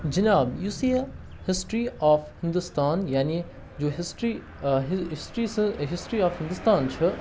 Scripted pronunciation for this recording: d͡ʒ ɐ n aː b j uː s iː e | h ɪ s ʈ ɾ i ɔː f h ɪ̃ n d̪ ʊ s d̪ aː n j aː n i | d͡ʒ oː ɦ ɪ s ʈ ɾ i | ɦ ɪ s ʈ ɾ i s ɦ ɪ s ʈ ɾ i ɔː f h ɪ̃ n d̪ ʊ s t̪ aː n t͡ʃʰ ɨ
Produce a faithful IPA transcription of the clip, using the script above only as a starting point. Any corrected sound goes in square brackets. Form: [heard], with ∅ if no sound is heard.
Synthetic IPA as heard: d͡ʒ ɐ n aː b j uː s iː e | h ɪ s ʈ ɾ i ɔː f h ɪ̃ n d̪ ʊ s [t̪] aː n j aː n i | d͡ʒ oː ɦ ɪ s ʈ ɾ i | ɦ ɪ s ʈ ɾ i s ɦ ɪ s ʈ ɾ i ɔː f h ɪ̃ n d̪ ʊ s t̪ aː n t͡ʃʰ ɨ